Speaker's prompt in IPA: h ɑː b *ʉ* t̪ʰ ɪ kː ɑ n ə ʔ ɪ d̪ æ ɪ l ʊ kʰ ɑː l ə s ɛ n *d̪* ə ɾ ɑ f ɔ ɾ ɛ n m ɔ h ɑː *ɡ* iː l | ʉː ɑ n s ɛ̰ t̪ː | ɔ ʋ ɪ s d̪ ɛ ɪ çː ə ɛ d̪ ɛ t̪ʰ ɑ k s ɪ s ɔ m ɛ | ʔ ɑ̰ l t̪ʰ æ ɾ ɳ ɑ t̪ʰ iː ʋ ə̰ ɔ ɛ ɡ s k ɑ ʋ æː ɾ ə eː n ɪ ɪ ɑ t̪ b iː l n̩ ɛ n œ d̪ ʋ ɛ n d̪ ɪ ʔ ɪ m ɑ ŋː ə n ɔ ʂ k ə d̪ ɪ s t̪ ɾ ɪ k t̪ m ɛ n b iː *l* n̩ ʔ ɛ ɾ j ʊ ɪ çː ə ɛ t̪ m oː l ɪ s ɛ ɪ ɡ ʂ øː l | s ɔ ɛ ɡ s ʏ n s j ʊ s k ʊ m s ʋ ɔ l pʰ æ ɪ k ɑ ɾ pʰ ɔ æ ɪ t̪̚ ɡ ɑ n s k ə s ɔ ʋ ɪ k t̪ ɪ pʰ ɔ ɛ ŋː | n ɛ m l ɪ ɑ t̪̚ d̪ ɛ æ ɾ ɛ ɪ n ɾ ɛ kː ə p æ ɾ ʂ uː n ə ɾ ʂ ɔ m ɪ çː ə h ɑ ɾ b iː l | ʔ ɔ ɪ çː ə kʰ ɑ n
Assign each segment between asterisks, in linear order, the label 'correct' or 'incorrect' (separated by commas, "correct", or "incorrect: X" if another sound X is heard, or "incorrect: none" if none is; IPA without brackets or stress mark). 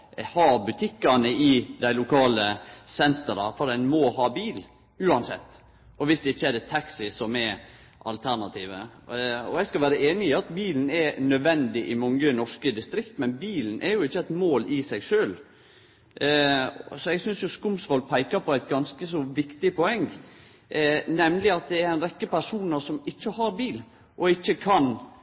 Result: correct, incorrect: t̪, incorrect: b, correct